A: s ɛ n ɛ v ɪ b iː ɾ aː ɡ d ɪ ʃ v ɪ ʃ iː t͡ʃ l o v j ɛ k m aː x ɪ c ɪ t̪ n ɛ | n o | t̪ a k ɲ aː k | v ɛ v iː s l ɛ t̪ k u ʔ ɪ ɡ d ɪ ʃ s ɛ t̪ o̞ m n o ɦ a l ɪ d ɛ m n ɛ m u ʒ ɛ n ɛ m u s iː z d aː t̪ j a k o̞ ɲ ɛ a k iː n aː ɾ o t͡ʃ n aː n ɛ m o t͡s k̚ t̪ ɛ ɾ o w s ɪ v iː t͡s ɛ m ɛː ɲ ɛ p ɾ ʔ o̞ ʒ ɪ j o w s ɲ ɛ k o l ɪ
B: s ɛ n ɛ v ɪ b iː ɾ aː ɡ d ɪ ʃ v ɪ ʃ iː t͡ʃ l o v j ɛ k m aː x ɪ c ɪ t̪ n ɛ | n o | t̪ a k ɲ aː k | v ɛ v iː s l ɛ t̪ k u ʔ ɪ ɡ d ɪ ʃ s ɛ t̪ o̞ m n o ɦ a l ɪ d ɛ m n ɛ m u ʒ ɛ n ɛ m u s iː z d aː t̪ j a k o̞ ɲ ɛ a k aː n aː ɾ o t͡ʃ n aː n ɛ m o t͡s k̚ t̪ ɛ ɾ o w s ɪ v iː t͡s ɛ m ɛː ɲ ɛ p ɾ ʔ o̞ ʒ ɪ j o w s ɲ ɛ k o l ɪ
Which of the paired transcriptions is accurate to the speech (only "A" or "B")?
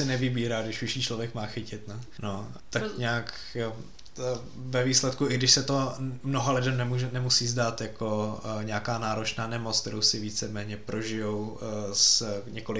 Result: B